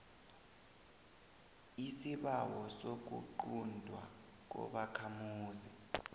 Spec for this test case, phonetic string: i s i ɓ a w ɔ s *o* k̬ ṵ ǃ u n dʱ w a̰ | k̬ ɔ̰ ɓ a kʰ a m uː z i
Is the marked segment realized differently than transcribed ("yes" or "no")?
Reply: no